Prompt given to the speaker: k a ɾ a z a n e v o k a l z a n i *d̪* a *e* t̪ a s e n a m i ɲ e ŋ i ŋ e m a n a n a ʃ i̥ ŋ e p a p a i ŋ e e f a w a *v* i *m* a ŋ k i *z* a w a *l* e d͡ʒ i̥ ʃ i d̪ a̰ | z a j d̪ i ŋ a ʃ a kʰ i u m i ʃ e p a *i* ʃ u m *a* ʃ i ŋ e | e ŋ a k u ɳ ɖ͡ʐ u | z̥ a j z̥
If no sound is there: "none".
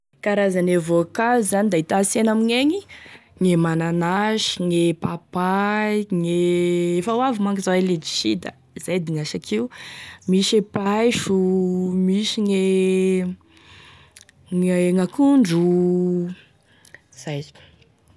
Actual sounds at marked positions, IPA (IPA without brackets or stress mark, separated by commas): d̪, i, v, m, z, l, j, i